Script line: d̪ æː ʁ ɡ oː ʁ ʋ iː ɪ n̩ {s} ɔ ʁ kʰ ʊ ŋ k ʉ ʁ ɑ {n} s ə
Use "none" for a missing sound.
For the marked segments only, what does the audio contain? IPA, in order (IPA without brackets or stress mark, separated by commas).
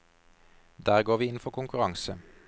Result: f, ŋ